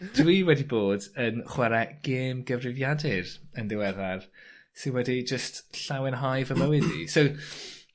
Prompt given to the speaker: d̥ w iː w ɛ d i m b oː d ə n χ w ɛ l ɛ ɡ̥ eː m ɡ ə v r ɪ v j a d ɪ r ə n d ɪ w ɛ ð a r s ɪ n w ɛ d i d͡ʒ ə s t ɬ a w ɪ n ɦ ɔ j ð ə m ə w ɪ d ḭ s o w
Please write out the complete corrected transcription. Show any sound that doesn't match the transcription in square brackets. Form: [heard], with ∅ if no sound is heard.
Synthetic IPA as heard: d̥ w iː w ɛ d i [∅] b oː d ə n χ w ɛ [ɾ] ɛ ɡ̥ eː m ɡ ə v r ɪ v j a d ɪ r ə n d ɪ w ɛ ð a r s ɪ n w ɛ d i d͡ʒ ə s t ɬ a w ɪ n ɦ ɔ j [v] ə m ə w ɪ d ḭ s o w